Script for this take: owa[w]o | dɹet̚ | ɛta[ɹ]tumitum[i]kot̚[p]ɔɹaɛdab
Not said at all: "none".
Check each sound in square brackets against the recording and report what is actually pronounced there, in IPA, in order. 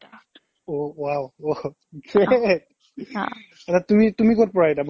w, none, i, p

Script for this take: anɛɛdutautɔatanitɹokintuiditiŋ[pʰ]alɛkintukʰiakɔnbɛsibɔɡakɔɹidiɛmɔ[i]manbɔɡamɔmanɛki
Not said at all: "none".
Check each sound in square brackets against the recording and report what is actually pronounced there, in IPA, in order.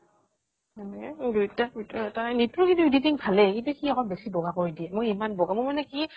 pʰ, i

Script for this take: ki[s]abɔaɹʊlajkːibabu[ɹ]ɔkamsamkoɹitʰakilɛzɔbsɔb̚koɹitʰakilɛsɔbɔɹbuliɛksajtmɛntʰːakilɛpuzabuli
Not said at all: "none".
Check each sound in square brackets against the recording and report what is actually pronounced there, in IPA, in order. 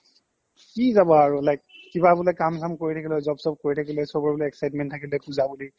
z, l

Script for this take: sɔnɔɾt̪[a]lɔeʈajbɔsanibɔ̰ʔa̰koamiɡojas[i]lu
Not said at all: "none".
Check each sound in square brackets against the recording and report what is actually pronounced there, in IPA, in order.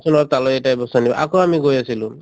a, i

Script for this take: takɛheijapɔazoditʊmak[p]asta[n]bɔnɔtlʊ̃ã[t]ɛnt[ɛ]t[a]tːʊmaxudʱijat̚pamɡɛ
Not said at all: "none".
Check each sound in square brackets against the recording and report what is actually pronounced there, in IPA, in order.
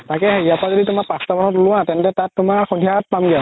p, none, t, ɛ, a

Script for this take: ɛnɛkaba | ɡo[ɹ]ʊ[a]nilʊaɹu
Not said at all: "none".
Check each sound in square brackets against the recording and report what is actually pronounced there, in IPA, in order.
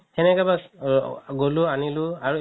l, a

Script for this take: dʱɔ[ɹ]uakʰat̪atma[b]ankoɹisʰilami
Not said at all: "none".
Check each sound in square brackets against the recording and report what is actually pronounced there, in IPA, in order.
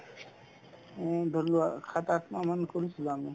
l, m

